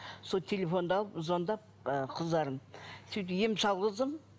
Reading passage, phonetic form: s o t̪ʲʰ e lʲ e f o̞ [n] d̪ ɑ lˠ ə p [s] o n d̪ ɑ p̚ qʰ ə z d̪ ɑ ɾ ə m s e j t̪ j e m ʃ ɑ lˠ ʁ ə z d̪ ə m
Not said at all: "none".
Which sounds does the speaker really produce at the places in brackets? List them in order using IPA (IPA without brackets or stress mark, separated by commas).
n, z